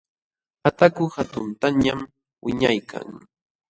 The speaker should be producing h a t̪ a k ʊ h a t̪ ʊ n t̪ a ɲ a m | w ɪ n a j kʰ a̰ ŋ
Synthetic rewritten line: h a t̪ a k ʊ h a t̪ ʊ n t̪ a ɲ a m | w ɪ ɲ a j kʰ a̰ ŋ